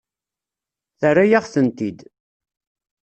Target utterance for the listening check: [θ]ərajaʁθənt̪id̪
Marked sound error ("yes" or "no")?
no